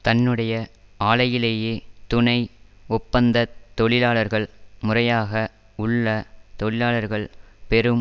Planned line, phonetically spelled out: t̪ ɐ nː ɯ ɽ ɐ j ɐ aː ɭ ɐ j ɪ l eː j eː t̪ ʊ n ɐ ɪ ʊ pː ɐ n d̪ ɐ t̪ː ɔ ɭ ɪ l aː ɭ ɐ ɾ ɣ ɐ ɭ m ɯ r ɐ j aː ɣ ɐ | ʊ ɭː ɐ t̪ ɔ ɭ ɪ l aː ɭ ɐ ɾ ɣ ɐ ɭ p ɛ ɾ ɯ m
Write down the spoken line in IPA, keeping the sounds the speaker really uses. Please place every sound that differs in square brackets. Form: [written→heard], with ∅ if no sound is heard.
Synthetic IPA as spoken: t̪ ɐ nː ɯ ɽ ɐ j ɐ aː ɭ ɐ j ɪ l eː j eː t̪ ʊ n ɐ ɪ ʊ pː ɐ n d̪ ɐ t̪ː ɔ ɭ ɪ l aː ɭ ɐ ɾ ɣ ɐ ɭ m [ɯ→ʊ] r ɐ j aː ɣ ɐ | ʊ ɭː ɐ t̪ ɔ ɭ ɪ l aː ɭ ɐ ɾ ɣ ɐ ɭ p ɛ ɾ ɯ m